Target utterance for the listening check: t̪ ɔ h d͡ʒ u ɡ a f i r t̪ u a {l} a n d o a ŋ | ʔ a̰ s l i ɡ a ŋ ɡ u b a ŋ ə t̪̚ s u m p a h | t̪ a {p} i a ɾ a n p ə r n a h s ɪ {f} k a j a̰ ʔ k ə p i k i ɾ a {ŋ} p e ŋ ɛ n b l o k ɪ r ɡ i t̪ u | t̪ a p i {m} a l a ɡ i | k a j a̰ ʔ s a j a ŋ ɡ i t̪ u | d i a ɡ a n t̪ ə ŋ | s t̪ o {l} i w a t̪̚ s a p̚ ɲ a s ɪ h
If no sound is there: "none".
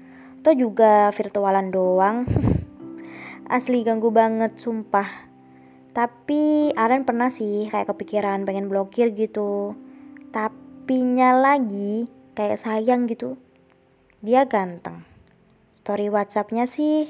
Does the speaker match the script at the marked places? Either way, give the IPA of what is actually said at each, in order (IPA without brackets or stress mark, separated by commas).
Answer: l, p, h, n, ɲ, ɾ